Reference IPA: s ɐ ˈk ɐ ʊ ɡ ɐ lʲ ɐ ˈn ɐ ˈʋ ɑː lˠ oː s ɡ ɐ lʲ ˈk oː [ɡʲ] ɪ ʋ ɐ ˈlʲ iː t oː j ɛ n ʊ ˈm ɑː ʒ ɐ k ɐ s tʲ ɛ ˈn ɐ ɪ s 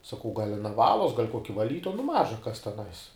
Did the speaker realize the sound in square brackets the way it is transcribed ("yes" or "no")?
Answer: no